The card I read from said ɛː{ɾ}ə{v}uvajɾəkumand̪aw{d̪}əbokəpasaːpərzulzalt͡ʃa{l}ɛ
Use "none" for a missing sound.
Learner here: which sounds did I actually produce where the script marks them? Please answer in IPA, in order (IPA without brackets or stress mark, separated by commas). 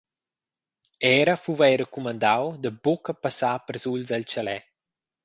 ɾ, f, d̪, l